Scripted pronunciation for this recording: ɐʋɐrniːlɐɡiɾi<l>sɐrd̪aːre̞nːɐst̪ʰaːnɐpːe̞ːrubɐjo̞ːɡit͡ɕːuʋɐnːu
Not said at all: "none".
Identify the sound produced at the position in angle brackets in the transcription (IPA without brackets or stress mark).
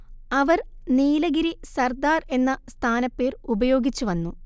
none